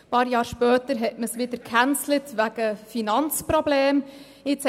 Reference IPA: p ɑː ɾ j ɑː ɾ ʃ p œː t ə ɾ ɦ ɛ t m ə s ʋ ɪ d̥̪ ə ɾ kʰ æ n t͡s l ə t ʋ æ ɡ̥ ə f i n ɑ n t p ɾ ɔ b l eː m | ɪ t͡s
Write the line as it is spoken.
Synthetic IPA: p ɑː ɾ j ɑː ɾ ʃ p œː t ə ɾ ɦ ɛ t m ə s ʋ ɪ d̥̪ ə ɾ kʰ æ n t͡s l ə t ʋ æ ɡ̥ ə f i n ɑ n t͡s p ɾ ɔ b l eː m | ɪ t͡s